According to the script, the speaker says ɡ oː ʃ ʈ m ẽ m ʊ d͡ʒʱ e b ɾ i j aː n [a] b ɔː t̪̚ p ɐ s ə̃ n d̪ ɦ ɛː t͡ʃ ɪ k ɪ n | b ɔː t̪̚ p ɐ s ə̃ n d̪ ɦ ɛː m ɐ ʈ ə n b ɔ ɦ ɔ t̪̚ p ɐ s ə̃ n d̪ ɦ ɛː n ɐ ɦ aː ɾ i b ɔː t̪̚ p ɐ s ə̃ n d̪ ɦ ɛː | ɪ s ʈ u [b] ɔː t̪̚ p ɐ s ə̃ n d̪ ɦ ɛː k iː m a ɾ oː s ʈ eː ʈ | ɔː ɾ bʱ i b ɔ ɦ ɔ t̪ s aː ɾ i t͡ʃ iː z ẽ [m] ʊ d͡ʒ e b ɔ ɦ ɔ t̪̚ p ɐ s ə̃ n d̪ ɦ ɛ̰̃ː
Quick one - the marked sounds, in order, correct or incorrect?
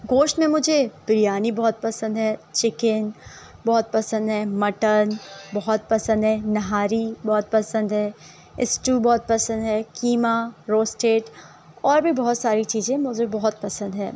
incorrect: i, correct, correct

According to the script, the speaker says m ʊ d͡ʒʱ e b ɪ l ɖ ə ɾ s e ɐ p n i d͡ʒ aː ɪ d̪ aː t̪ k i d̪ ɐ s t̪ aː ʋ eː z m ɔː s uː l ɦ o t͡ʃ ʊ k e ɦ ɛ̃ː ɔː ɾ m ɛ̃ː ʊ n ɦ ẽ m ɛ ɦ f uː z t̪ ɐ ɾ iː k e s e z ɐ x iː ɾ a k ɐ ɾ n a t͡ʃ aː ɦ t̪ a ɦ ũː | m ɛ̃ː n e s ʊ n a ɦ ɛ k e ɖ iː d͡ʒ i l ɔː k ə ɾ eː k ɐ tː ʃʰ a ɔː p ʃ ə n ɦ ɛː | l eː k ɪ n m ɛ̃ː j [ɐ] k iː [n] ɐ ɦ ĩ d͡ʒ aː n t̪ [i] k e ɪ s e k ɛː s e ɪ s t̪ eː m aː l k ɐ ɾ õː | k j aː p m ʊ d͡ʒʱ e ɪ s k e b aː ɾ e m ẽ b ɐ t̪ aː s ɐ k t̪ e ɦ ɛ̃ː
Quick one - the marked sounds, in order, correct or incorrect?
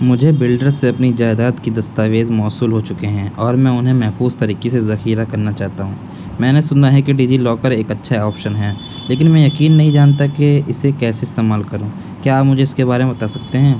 correct, incorrect: nː, incorrect: a

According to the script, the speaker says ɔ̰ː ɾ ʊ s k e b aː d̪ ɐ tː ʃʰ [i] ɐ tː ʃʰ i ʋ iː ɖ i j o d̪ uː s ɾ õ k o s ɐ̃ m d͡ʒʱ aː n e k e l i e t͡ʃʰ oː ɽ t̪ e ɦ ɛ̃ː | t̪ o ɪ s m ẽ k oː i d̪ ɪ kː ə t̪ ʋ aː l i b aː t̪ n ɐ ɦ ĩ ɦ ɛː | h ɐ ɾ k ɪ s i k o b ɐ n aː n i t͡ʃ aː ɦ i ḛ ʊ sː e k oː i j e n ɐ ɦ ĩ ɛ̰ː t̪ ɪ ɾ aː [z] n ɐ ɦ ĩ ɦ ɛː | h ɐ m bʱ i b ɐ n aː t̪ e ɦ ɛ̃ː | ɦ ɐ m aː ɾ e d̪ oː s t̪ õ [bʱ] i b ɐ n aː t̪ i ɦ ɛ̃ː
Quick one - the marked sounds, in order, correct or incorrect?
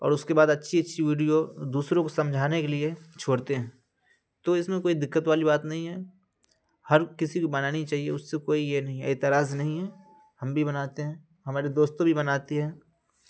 correct, correct, correct

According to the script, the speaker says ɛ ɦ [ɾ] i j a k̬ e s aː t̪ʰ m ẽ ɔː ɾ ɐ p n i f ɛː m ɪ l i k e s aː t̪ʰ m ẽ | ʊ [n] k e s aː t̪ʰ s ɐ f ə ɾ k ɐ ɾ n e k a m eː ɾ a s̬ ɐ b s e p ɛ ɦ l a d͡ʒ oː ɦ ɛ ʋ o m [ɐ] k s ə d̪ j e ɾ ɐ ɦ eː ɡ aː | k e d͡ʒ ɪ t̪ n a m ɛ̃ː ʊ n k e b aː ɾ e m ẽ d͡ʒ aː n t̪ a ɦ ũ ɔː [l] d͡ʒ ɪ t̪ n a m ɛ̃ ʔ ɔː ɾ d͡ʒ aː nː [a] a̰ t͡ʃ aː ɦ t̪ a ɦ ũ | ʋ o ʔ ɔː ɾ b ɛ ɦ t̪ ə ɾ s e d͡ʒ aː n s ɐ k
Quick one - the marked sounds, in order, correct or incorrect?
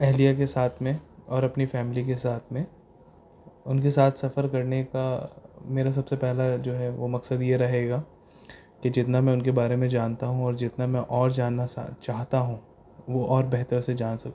incorrect: l, correct, correct, incorrect: ɾ, correct

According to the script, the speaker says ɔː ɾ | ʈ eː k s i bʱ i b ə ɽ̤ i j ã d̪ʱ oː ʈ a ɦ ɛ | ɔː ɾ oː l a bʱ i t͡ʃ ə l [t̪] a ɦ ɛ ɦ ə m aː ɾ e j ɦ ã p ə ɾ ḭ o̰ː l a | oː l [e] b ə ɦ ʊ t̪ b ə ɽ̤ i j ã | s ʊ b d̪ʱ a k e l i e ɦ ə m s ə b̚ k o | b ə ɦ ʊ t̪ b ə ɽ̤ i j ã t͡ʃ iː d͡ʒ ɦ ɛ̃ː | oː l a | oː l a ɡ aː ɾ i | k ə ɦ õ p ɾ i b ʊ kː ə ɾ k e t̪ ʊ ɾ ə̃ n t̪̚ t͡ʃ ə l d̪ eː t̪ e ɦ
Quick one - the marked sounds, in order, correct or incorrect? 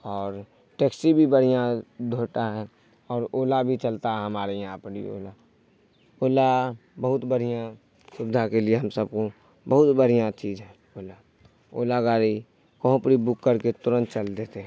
correct, incorrect: a

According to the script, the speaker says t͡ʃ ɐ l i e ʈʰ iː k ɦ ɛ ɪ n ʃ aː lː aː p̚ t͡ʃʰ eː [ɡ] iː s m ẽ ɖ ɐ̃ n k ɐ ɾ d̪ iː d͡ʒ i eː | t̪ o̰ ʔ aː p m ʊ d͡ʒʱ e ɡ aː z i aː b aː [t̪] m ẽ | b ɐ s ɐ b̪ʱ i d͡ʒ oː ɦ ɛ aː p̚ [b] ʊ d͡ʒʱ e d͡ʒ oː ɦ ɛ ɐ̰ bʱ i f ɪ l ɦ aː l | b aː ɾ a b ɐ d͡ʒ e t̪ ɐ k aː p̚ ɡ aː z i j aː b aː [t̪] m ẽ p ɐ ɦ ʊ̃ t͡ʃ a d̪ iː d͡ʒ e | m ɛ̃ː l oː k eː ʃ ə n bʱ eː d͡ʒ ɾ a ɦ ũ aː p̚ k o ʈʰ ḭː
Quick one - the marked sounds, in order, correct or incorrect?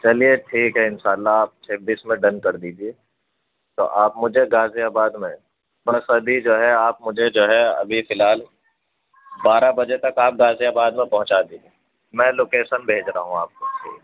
incorrect: b, incorrect: d̪, incorrect: m, incorrect: d̪

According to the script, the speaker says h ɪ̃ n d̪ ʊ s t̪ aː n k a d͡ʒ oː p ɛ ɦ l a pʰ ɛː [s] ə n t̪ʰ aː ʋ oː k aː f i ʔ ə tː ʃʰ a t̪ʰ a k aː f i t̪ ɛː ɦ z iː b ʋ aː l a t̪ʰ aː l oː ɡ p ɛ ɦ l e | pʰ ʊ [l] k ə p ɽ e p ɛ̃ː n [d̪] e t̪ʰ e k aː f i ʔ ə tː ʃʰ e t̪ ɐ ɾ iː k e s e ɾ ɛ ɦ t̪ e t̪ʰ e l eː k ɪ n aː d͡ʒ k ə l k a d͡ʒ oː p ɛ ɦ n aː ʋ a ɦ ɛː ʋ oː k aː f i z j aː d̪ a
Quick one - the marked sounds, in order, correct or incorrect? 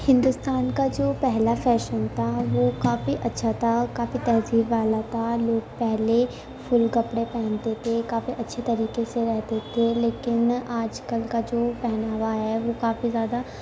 incorrect: ʃ, correct, incorrect: t̪

